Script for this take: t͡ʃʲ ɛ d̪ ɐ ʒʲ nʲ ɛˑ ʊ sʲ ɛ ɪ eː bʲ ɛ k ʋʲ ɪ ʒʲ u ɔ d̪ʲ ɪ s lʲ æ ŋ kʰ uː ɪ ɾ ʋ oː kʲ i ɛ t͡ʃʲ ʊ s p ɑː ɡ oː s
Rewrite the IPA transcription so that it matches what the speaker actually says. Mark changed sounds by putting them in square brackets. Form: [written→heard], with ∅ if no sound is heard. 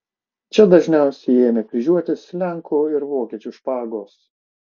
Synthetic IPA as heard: t͡ʃʲ ɛ d̪ ɐ ʒʲ nʲ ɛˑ ʊ sʲ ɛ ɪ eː [bʲ→mʲ] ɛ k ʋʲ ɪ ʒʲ u ɔ [d̪ʲ→t̪ʲ] ɪ s lʲ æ ŋ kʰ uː ɪ ɾ ʋ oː kʲ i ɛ t͡ʃʲ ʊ [s→ʃ] p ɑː ɡ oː s